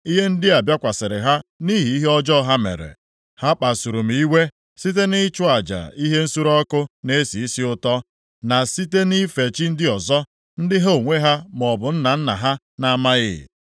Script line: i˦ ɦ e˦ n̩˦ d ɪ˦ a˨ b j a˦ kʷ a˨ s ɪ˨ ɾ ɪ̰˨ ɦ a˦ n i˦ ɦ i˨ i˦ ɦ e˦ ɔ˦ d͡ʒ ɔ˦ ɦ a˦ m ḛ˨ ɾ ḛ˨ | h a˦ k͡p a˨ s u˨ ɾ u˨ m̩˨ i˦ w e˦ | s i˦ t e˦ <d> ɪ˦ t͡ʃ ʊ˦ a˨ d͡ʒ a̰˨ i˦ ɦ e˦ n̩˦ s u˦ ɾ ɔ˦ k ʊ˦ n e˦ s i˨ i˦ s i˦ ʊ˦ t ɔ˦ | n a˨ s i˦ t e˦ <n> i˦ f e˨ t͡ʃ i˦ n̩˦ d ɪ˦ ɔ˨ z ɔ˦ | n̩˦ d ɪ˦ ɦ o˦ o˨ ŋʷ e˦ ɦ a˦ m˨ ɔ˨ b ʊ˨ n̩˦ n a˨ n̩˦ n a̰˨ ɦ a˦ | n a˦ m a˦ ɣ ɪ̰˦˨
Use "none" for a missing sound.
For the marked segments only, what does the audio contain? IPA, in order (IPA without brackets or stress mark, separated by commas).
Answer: n, n